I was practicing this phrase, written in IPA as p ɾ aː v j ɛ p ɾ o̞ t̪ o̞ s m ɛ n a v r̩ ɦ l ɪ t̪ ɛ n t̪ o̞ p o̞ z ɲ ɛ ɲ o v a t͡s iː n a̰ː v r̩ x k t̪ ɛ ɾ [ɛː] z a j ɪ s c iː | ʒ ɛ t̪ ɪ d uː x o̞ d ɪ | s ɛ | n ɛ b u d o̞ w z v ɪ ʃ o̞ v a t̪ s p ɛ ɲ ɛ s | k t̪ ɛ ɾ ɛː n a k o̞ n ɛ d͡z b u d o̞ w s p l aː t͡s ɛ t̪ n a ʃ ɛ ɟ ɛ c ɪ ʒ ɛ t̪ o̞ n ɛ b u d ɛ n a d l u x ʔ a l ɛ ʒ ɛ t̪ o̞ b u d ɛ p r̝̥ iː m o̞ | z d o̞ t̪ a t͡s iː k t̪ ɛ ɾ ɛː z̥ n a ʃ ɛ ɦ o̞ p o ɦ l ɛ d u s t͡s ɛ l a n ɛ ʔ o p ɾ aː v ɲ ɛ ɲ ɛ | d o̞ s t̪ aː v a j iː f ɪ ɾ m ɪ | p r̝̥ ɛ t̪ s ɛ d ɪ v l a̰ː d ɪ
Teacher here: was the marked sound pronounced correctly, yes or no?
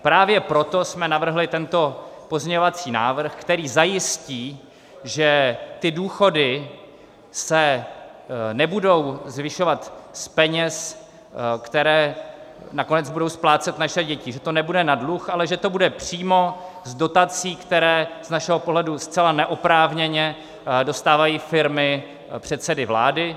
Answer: no